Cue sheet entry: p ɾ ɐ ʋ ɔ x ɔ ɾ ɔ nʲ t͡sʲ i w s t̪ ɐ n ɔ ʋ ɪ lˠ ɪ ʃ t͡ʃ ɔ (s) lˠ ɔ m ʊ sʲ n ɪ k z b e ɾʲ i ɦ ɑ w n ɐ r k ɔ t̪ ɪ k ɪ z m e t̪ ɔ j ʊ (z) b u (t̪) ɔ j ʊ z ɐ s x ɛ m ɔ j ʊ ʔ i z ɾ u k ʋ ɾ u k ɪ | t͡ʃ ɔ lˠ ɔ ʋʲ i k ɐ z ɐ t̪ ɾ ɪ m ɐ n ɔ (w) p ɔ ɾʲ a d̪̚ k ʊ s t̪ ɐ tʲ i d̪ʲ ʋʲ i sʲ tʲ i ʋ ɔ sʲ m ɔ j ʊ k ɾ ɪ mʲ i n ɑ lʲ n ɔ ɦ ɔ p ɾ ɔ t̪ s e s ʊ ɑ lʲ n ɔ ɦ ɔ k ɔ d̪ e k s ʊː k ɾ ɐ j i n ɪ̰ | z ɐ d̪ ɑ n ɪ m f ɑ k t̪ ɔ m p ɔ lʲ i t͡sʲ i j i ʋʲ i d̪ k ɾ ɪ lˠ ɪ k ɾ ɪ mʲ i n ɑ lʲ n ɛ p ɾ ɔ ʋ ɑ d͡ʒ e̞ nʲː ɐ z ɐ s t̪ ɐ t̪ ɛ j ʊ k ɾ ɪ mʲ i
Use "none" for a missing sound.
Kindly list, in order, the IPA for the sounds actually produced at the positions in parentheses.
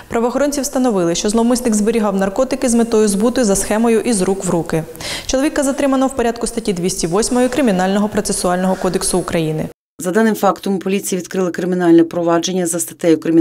z, z, t̪, w

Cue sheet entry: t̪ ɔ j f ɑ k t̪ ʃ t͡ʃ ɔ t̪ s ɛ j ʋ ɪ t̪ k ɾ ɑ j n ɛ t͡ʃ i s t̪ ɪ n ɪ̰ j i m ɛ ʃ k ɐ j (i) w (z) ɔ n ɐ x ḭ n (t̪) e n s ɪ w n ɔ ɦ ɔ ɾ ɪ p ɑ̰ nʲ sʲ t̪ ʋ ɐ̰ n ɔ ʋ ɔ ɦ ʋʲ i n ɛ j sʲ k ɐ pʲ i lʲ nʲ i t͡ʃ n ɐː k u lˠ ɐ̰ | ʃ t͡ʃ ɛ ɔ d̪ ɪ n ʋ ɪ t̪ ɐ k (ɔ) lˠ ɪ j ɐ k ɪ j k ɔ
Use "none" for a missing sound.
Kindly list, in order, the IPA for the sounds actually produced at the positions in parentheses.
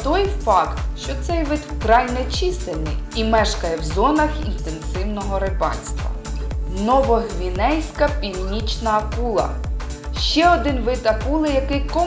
ɛ, z, t̪, u

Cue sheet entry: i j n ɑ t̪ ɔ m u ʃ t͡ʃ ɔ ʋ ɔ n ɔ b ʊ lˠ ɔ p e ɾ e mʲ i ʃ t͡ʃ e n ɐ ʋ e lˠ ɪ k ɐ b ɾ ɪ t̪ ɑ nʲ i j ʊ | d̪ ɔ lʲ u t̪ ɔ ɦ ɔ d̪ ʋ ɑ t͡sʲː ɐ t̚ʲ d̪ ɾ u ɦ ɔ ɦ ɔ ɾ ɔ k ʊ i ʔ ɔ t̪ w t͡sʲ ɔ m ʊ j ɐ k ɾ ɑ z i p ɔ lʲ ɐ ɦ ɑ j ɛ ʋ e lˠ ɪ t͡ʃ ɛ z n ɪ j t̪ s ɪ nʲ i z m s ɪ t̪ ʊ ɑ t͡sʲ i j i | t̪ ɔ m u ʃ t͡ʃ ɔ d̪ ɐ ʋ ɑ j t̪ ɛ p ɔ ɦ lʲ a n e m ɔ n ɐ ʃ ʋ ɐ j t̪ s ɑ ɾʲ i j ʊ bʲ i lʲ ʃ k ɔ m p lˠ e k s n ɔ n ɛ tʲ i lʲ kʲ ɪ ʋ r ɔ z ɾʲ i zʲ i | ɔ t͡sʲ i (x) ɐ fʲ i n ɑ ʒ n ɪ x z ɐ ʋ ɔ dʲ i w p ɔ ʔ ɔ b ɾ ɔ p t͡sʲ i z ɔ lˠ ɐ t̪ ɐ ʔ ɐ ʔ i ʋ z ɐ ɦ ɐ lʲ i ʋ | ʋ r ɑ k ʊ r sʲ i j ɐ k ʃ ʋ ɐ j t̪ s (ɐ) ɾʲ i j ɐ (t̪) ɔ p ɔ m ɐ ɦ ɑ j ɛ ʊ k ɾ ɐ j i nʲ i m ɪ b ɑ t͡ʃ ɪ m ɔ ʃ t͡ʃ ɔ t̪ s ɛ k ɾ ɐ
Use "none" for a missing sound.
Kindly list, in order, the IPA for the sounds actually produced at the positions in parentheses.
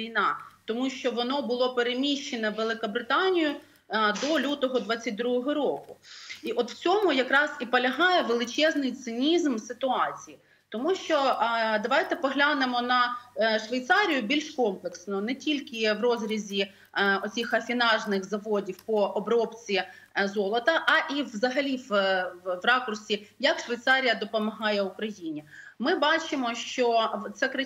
x, ɑ, d̪

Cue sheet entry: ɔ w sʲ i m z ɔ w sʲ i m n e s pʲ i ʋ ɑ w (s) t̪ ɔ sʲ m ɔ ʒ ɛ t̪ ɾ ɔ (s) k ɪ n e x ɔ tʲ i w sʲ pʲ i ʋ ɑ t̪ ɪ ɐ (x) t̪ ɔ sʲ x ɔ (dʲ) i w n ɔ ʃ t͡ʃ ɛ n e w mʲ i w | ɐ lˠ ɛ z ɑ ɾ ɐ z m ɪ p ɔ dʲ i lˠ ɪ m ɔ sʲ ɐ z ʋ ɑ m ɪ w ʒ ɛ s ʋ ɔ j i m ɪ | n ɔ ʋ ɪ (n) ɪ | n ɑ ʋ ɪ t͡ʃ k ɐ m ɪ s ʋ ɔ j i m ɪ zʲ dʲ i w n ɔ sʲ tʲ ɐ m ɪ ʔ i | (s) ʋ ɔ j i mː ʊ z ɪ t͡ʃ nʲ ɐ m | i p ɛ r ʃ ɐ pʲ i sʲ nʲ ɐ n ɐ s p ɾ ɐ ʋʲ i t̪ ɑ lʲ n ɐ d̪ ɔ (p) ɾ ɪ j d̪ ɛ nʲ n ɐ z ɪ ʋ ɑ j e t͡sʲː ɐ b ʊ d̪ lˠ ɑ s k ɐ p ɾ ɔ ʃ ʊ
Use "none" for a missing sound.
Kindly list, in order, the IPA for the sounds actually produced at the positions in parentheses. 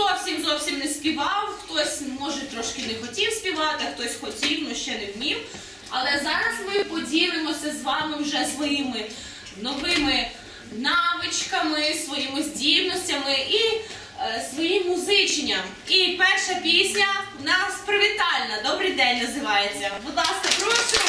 x, ʃ, x, tʲ, m, s, b

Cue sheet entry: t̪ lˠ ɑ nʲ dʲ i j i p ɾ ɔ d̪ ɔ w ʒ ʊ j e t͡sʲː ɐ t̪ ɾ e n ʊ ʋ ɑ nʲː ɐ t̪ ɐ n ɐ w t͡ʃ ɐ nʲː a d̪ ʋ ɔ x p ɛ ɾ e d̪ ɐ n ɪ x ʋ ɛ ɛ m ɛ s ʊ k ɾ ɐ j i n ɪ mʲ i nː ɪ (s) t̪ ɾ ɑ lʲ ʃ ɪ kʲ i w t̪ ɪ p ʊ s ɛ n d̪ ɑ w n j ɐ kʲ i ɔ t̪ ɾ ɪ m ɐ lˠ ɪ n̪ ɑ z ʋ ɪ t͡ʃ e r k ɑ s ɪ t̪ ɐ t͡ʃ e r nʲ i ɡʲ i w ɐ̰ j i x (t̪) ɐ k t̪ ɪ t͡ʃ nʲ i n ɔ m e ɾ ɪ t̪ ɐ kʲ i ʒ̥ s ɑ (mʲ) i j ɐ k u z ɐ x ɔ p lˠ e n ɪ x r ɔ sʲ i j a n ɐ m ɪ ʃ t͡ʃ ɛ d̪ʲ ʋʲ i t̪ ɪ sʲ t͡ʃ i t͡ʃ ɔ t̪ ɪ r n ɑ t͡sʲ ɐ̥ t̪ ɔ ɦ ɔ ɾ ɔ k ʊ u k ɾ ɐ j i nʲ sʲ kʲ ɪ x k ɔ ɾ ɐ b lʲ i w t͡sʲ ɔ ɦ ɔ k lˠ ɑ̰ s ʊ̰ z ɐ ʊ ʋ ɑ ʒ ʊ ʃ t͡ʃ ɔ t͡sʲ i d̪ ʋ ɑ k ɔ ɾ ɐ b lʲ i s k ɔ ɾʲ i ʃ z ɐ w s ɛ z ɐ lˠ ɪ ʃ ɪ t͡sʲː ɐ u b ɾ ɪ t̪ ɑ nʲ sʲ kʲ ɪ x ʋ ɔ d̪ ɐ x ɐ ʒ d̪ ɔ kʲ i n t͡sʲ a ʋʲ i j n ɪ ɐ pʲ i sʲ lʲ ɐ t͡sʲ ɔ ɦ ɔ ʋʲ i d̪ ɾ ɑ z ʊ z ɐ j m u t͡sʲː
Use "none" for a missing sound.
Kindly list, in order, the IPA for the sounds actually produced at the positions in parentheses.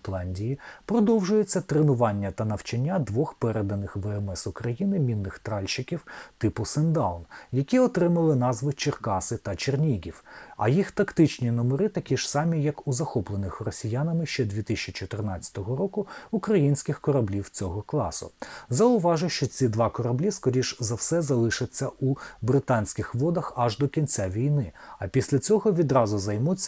x, t̪, mʲ

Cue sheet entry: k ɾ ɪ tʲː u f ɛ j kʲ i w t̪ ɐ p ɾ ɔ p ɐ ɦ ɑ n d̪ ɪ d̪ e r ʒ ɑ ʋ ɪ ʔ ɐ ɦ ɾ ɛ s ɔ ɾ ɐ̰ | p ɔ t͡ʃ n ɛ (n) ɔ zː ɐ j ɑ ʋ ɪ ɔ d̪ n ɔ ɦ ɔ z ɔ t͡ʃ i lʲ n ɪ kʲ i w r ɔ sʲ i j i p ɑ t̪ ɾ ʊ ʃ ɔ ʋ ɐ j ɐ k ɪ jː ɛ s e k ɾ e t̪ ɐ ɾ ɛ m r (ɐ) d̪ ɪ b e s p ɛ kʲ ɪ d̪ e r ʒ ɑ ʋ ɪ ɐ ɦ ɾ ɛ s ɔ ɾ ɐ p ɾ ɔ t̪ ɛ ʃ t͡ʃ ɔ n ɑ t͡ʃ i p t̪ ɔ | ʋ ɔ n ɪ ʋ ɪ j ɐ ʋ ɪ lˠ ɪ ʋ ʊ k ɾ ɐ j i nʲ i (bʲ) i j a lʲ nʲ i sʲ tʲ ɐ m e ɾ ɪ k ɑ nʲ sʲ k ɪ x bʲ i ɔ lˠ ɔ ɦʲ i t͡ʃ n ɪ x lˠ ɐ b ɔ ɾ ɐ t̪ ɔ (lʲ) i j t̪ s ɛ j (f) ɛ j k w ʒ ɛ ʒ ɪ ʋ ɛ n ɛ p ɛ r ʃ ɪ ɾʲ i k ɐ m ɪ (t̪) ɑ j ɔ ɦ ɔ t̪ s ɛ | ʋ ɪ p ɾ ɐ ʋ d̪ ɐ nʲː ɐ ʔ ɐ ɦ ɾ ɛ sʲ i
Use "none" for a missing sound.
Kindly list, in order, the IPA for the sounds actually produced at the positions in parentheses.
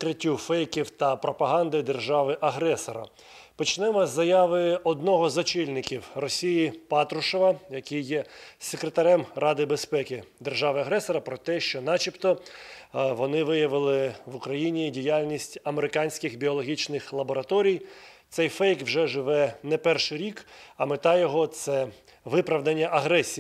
m, ɑ, dʲ, ɾʲ, f, t̪

